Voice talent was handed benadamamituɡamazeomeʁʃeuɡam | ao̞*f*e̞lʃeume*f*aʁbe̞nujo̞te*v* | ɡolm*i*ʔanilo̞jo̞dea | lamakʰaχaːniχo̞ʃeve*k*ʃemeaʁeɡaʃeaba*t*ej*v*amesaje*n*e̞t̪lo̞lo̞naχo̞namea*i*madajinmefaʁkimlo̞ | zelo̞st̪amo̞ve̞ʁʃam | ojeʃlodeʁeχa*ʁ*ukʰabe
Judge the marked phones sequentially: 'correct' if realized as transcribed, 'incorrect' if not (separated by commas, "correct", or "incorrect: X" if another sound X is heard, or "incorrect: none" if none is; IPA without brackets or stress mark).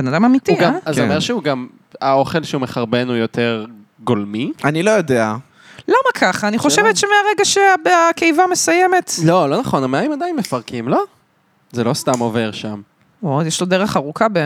incorrect: χ, incorrect: χ, incorrect: ʁ, correct, incorrect: t, incorrect: k, correct, incorrect: m, correct, correct